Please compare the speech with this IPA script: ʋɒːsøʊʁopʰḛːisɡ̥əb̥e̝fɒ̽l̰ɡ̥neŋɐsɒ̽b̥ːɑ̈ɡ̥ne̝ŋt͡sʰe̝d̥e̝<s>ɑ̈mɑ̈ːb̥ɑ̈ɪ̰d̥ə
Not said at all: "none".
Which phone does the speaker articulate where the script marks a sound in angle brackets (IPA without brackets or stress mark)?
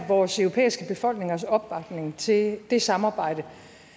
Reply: s